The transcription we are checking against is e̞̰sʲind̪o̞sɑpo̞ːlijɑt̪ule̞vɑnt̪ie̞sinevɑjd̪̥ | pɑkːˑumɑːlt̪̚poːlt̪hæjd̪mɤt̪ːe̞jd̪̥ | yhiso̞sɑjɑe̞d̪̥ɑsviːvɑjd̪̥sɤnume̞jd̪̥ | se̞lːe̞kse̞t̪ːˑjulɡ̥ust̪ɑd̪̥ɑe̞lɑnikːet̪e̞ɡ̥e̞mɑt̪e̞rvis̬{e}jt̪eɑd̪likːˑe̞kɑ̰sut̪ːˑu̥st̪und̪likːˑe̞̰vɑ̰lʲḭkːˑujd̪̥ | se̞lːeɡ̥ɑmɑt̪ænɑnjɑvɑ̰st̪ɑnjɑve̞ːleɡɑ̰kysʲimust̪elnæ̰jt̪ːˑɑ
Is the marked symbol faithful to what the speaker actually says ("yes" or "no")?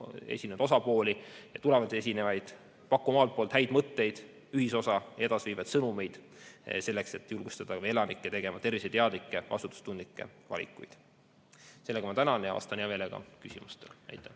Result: yes